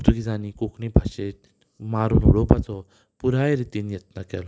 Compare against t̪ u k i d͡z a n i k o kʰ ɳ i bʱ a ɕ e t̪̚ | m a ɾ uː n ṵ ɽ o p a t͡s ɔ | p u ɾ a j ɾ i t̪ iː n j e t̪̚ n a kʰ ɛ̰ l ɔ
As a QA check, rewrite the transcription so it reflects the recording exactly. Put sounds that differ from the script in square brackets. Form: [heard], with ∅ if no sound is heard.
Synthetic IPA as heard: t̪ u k i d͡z a n i k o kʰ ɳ i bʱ a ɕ e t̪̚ | m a ɾ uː n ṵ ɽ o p a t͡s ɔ | p u ɾ a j ɾ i t̪ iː n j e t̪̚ n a [k] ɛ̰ l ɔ